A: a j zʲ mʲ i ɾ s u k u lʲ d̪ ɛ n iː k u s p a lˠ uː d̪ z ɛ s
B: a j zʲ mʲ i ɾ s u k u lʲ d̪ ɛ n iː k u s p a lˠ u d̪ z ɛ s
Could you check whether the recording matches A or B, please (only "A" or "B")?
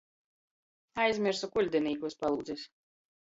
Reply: A